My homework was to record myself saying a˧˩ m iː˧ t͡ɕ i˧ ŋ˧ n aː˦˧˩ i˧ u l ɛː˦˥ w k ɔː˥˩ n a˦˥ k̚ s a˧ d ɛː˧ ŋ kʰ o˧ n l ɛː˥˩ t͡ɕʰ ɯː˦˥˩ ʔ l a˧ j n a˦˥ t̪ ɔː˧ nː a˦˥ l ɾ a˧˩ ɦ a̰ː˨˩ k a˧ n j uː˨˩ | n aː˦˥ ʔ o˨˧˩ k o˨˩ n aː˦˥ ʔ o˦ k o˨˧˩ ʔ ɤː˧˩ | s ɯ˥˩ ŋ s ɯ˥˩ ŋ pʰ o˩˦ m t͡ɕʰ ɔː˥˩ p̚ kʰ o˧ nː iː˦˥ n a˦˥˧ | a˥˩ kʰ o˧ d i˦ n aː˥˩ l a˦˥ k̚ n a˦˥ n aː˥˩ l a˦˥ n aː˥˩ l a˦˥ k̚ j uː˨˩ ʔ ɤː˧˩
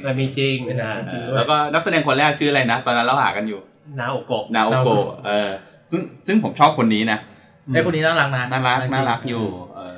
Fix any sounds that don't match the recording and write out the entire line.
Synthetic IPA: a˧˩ m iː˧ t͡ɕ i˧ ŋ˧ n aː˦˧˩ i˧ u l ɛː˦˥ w k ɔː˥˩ n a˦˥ k̚ s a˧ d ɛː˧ ŋ kʰ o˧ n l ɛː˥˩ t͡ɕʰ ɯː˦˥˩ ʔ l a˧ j n a˦˥ t̪ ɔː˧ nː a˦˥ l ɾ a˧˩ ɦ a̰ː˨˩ k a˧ n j uː˨˩ | n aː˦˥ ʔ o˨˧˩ k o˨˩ n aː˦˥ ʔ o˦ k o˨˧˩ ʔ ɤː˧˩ | s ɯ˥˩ ŋ s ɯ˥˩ ŋ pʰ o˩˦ m t͡ɕʰ ɔː˥˩ p̚ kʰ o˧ nː iː˦˥ n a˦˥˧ | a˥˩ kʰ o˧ n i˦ n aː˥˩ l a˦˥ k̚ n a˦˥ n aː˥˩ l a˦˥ n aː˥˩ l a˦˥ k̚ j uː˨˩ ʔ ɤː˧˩